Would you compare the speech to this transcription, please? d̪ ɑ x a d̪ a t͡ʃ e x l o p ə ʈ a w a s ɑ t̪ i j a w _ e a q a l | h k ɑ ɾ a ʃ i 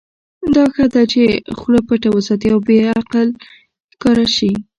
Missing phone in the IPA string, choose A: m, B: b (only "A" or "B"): B